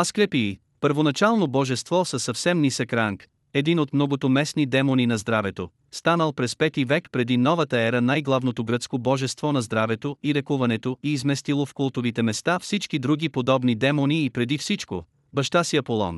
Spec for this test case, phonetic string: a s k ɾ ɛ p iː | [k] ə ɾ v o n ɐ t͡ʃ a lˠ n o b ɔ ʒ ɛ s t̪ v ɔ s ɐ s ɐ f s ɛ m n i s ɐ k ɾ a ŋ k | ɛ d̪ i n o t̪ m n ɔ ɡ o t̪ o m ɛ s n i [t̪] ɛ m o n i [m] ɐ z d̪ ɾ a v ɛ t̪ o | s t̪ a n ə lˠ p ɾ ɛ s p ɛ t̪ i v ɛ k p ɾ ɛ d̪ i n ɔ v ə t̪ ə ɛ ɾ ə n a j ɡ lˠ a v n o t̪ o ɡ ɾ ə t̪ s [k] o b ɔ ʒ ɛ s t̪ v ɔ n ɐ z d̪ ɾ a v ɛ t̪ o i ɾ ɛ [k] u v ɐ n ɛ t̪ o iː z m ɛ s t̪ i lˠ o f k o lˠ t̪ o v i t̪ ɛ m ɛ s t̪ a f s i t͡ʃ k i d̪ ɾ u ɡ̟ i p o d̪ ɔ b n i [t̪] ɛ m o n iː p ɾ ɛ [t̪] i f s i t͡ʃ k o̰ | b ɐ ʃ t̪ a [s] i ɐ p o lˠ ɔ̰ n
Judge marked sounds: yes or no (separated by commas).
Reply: no, no, no, yes, yes, no, no, yes